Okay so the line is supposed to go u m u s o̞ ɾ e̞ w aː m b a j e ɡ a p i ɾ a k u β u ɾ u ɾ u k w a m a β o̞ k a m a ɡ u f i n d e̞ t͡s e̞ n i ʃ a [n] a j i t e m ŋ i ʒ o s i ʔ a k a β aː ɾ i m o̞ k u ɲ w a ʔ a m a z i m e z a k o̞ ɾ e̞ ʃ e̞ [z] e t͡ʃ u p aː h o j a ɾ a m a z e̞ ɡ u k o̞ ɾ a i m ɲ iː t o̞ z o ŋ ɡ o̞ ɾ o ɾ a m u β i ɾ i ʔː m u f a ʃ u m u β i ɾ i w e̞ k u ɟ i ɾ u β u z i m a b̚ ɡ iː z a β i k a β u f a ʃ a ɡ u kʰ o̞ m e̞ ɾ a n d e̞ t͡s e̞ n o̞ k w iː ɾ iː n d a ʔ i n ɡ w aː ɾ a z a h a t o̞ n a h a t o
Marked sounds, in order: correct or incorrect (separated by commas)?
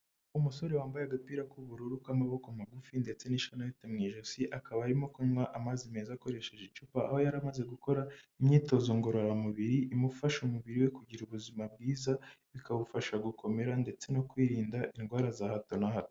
correct, incorrect